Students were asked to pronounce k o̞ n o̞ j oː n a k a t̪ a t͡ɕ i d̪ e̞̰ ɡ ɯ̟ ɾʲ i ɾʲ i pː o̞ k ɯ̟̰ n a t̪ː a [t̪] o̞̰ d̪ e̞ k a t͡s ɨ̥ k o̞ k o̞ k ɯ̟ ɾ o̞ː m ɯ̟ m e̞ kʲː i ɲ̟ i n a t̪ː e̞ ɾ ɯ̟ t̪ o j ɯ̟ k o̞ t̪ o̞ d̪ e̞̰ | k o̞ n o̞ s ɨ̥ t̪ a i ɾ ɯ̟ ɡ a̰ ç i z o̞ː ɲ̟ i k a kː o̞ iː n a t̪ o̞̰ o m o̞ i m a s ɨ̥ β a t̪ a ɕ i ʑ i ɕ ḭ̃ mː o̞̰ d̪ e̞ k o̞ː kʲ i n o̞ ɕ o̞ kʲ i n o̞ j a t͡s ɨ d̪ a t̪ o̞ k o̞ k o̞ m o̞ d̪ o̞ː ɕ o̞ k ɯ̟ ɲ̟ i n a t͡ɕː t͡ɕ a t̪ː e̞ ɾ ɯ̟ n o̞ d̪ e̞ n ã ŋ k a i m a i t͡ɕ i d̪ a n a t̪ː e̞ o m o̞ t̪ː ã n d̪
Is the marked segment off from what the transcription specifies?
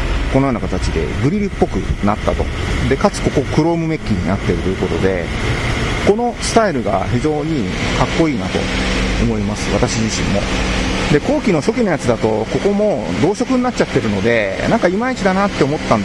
no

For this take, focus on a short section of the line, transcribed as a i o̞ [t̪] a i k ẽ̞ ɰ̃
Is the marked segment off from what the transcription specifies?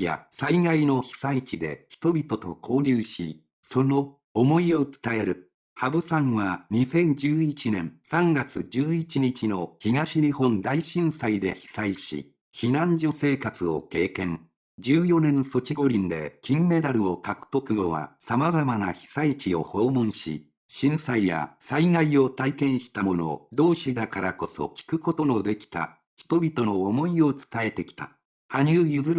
no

